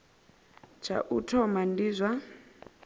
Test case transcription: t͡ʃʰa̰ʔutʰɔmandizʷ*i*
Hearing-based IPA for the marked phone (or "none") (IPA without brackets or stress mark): a